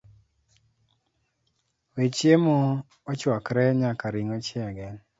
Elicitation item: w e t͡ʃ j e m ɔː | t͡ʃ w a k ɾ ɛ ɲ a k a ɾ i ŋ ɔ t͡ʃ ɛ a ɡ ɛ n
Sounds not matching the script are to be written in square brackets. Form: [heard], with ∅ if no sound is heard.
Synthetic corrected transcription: w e t͡ʃ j e m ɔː | t͡ʃ w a k ɾ ɛ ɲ a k a ɾ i ŋ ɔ t͡ʃ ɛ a ɡ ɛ n